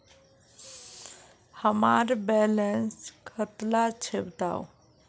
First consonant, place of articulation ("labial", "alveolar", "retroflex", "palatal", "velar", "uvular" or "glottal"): glottal